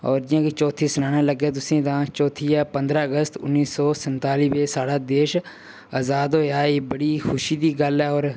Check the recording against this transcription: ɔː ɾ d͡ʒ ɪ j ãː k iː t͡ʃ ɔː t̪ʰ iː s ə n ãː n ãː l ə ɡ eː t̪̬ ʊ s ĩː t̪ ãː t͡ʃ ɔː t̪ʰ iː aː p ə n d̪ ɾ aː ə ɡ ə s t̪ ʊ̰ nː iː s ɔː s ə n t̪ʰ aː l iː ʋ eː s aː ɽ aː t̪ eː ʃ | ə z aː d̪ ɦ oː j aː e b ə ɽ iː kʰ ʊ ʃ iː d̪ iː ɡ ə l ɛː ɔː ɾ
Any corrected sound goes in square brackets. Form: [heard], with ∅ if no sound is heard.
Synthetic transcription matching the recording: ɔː ɾ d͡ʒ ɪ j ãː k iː t͡ʃ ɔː t̪ʰ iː s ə n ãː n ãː l ə ɡ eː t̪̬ ʊ s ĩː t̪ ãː t͡ʃ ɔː t̪ʰ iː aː p ə n d̪ ɾ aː ə ɡ ə s t̪ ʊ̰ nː iː s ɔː s ə n [t̪] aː l iː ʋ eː s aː ɽ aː [d̪] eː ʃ | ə z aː d̪ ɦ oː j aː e b ə ɽ iː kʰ ʊ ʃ iː d̪ iː ɡ ə l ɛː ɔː ɾ

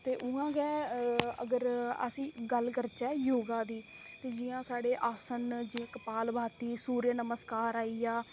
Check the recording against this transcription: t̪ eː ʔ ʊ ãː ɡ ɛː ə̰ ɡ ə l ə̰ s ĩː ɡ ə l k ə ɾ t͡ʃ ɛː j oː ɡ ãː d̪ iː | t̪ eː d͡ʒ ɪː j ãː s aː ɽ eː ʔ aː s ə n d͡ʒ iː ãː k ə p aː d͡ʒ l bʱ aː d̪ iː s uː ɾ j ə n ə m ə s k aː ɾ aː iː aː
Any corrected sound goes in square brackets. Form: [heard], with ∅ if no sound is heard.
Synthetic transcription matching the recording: t̪ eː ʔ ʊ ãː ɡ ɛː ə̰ ɡ ə [ɾ] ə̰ s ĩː ɡ ə l k ə ɾ t͡ʃ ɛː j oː ɡ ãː d̪ iː | t̪ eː d͡ʒ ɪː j ãː s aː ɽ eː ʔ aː s ə n d͡ʒ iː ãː k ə p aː [∅] l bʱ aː [t̪] iː s uː ɾ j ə n ə m ə s k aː ɾ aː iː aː

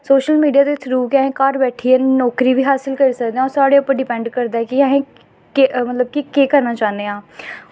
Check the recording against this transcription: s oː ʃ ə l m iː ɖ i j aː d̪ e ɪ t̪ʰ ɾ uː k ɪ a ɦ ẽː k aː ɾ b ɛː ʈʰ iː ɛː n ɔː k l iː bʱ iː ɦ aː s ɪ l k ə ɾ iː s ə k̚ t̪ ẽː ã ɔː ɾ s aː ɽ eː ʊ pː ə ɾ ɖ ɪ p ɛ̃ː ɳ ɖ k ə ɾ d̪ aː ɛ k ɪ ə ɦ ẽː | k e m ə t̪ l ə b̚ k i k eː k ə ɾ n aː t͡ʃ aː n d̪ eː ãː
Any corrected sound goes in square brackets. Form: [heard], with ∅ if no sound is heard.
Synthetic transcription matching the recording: s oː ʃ ə l m iː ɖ i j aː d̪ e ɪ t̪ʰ ɾ uː k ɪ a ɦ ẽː k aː ɾ b ɛː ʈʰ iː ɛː n ɔː k [ɾ] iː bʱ iː ɦ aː s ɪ l k ə ɾ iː s ə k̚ [d̪] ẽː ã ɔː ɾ s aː ɽ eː ʊ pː ə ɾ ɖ ɪ p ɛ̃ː ɳ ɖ k ə ɾ d̪ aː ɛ k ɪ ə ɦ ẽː | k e m ə t̪ l ə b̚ k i k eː k ə ɾ n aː t͡ʃ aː n d̪ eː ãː

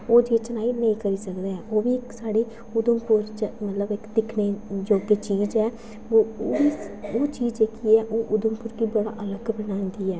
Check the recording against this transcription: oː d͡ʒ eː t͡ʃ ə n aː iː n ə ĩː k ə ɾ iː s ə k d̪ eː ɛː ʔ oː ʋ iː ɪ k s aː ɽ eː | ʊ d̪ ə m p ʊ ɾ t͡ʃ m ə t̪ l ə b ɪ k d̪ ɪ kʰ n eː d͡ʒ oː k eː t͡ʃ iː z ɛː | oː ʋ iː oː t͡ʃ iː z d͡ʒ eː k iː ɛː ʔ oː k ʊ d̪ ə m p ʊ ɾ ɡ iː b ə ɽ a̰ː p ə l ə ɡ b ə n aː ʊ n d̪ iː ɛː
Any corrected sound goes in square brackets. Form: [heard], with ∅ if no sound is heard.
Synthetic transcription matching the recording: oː d͡ʒ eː t͡ʃ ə n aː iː n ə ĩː k ə ɾ iː s ə k d̪ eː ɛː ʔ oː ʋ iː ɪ k s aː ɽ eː | ʊ d̪ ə m p ʊ ɾ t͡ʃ m ə t̪ l ə b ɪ k d̪ ɪ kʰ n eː d͡ʒ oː k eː t͡ʃ iː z ɛː | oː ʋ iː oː t͡ʃ iː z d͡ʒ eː k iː ɛː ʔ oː [ʔ] ʊ d̪ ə m p ʊ ɾ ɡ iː b ə ɽ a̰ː [ʔ] ə l ə ɡ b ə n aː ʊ n d̪ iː ɛː

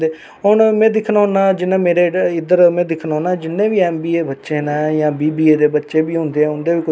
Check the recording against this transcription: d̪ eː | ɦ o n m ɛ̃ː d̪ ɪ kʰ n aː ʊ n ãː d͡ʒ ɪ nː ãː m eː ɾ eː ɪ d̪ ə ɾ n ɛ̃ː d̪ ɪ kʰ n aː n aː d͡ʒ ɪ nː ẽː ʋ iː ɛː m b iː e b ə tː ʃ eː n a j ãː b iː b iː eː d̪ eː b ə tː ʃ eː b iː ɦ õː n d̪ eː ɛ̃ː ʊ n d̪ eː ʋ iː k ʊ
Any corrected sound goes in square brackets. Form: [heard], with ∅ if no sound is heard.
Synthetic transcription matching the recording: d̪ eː | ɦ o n m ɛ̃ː d̪ ɪ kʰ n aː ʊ n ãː d͡ʒ ɪ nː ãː m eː ɾ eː ɪ d̪ ə ɾ [m] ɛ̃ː d̪ ɪ kʰ n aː n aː d͡ʒ ɪ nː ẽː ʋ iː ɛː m b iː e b ə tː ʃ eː n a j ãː b iː b iː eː d̪ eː b ə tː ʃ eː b iː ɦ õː n d̪ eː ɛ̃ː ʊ n d̪ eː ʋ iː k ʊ

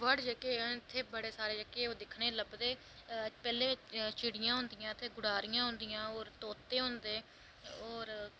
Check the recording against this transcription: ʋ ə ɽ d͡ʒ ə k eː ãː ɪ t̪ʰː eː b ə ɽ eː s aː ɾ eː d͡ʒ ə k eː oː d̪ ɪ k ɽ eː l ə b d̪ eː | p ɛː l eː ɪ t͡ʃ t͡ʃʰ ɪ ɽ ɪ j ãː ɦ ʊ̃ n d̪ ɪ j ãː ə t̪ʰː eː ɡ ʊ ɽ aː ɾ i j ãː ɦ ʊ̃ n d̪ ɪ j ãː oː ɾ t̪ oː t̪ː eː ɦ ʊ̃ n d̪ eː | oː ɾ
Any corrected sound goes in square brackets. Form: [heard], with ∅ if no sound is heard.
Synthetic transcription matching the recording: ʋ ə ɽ d͡ʒ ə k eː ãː ɪ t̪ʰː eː b ə ɽ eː s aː ɾ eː d͡ʒ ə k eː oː d̪ ɪ [kʰ] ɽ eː l ə b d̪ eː | p ɛː l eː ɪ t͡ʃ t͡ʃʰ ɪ ɽ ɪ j ãː ɦ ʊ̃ n d̪ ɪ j ãː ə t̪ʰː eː ɡ ʊ ɽ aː ɾ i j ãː ɦ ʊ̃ n d̪ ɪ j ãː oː ɾ t̪ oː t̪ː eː ɦ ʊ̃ n d̪ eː | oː ɾ

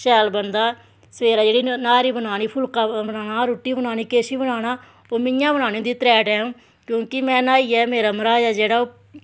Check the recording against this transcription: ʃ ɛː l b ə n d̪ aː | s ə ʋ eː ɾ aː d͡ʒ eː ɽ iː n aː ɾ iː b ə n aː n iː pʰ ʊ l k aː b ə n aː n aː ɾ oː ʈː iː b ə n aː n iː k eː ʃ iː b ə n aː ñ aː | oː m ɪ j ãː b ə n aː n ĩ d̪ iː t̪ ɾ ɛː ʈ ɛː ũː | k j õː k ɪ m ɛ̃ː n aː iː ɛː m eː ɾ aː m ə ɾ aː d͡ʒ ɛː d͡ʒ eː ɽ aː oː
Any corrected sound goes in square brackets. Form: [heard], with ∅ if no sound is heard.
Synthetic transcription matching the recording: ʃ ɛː l b ə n d̪ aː | s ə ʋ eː ɾ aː d͡ʒ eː ɽ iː n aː ɾ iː b ə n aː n iː pʰ ʊ l k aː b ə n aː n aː ɾ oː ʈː iː b ə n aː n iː k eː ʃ iː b ə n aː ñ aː | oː m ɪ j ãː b ə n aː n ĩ d̪ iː t̪ ɾ ɛː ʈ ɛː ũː | k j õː k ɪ m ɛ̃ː n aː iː ɛː m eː ɾ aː m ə ɾ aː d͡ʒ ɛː d͡ʒ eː ɽ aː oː

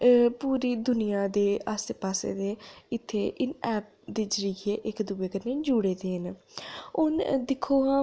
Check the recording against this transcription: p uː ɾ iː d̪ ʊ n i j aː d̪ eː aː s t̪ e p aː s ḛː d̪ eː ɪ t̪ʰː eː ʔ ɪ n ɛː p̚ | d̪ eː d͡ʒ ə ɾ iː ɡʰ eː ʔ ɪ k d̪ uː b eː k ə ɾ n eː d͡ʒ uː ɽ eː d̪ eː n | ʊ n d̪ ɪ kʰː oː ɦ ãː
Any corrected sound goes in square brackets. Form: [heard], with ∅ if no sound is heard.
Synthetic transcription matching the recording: p uː ɾ iː d̪ ʊ n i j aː d̪ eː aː s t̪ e p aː s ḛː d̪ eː ɪ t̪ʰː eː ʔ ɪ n ɛː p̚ | d̪ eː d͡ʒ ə ɾ iː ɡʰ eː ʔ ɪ k d̪ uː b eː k ə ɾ n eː d͡ʒ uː ɽ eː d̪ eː n | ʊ n d̪ ɪ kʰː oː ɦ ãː

